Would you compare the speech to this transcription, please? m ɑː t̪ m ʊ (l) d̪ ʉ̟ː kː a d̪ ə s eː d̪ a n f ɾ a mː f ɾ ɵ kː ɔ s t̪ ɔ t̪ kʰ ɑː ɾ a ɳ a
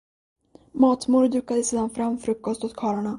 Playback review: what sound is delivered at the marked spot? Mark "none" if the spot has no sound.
ɾ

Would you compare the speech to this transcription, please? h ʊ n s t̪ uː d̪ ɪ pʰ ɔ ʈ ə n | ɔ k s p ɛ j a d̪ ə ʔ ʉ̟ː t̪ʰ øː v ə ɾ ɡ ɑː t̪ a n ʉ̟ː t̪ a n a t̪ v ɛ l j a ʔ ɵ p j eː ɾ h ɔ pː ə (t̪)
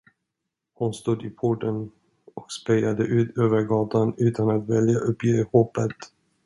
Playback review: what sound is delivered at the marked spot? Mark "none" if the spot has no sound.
t̪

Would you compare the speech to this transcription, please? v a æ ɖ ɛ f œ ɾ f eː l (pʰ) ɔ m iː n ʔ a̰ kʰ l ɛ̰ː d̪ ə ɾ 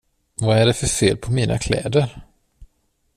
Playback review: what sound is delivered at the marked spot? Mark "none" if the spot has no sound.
pʰ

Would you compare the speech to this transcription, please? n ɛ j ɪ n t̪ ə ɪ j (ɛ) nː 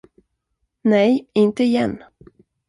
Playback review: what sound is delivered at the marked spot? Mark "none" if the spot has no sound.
ɛ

